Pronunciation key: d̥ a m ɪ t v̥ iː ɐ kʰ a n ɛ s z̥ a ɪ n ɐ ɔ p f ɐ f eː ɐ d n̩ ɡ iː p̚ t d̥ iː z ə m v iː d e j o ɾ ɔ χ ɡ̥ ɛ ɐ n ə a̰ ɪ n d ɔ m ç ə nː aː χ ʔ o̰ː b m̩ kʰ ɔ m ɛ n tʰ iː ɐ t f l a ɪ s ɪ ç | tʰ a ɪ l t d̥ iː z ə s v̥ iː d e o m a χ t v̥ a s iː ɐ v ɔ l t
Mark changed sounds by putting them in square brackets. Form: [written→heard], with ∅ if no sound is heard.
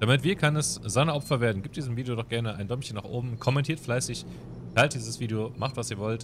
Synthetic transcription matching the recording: d̥ a m ɪ t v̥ iː ɐ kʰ a n ɛ s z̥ a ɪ n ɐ ɔ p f ɐ [f→v] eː ɐ d n̩ ɡ iː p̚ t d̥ iː z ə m v iː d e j o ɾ ɔ χ ɡ̥ ɛ ɐ n ə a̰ ɪ n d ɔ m ç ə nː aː χ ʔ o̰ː b m̩ kʰ ɔ m ɛ n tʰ iː ɐ t f l a ɪ s ɪ ç | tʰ a ɪ l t d̥ iː z ə s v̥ iː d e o m a χ t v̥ a s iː ɐ v ɔ l t